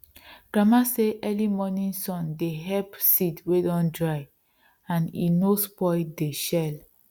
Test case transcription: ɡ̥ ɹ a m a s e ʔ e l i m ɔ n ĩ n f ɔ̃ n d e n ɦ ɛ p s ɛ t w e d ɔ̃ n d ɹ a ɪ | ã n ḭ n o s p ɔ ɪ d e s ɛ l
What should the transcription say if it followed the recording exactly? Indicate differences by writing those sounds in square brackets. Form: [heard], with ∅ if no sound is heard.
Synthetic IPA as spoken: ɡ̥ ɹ a m a s e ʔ [ɛ] l i m ɔ n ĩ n [s] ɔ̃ n d e [∅] ɦ ɛ p s [i] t w e d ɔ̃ n d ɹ a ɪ | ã n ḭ n o s p ɔ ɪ d e [ʃ] ɛ l